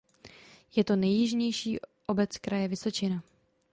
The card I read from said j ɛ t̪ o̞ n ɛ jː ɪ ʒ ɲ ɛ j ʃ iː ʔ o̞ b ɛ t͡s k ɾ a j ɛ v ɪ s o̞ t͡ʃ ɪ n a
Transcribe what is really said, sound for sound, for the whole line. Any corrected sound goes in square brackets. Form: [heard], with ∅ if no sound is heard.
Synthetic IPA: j ɛ t̪ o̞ n ɛ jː ɪ ʒ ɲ ɛ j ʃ iː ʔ o̞ b ɛ t͡s k ɾ a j ɛ v ɪ s o̞ t͡ʃ ɪ n a